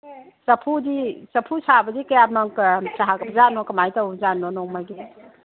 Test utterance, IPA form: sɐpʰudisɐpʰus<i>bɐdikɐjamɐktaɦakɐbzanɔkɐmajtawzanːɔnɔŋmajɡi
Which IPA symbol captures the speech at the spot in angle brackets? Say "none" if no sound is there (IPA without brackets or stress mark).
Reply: a